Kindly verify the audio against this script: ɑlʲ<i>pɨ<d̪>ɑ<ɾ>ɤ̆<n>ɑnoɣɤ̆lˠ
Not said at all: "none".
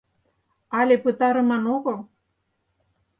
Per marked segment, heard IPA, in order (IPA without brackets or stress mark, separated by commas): e, t̪, ɾ, m